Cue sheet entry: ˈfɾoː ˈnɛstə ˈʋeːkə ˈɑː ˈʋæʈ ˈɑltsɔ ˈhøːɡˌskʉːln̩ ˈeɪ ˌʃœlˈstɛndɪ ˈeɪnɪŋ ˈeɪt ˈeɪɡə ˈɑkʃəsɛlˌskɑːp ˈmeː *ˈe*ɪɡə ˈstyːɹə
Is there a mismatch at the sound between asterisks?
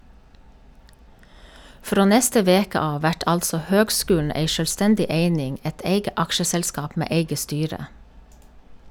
no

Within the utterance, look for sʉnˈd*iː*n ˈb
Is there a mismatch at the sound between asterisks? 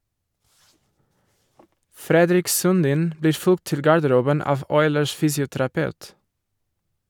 no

